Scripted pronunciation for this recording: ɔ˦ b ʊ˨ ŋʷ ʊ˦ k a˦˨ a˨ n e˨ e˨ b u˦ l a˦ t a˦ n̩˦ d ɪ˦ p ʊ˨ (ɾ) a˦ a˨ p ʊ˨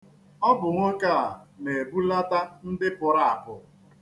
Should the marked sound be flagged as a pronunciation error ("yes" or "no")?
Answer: no